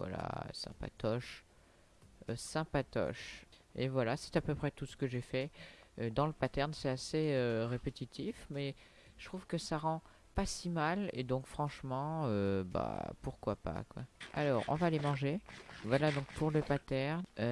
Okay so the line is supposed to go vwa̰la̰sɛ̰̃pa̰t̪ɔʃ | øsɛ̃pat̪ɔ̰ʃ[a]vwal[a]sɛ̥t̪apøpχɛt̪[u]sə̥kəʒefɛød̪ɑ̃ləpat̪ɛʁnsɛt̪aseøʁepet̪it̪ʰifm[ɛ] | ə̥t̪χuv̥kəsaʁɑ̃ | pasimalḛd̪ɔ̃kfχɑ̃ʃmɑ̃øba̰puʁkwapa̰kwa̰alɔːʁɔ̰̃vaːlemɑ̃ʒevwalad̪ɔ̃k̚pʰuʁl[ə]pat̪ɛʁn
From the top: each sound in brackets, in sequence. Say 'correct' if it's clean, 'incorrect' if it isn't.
incorrect: e, correct, correct, correct, correct

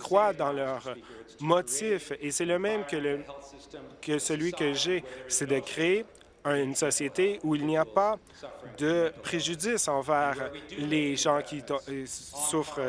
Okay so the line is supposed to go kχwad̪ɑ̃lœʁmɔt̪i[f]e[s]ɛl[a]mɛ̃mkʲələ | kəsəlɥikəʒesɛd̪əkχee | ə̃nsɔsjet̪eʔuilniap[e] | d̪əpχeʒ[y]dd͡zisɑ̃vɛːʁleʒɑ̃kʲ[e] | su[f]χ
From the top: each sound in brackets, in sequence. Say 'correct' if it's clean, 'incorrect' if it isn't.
correct, correct, incorrect: ə, incorrect: a, correct, incorrect: i, correct

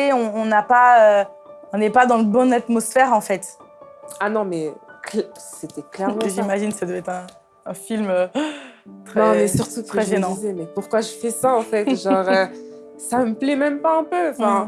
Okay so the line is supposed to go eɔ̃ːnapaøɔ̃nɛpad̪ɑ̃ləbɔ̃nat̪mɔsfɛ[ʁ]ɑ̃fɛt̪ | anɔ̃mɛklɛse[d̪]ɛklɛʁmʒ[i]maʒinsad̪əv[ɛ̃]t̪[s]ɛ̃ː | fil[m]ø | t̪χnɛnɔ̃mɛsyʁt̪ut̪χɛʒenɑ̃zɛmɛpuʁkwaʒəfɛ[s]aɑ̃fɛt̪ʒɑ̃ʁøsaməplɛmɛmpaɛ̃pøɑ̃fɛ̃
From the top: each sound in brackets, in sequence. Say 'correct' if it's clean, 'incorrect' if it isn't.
correct, incorrect: t̪, correct, incorrect: ɛ, incorrect: χ, correct, correct

